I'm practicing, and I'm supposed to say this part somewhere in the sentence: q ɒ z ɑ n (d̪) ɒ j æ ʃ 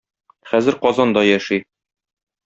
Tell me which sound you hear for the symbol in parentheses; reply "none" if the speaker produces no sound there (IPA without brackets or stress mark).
d̪